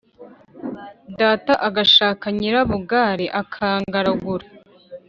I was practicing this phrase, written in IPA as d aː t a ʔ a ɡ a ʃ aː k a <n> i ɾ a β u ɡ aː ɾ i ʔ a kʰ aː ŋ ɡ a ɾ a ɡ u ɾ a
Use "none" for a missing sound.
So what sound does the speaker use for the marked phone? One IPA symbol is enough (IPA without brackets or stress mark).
ɲ